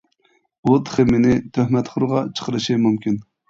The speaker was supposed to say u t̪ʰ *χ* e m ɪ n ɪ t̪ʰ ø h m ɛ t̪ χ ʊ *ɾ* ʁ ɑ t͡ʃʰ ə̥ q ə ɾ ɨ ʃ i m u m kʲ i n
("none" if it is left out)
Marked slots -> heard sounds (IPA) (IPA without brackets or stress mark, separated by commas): χ, ɾ